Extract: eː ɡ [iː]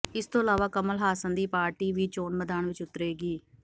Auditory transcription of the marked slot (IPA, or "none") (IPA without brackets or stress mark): iː